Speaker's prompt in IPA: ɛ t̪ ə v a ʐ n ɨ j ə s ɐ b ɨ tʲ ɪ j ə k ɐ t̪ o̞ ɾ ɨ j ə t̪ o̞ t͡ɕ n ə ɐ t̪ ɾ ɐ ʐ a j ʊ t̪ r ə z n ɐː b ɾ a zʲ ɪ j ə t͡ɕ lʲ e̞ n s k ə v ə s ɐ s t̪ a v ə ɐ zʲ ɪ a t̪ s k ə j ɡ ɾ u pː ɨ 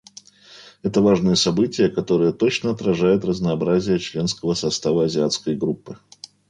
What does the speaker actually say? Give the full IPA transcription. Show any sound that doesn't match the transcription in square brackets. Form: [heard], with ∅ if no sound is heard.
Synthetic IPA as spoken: ɛ t̪ ə v a ʐ n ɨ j ə s ɐ b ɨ tʲ ɪ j ə k ɐ t̪ o̞ ɾ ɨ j ə t̪ o̞ t͡ɕ n ə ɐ t̪ ɾ ɐ ʐ a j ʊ t̪ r ə z n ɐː b ɾ a zʲ ɪ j ə t͡ɕ lʲ e̞ n s k ə v ə s ɐ s t̪ a v ə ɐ zʲ ɪ a t̪ s k ə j ɡ ɾ u pː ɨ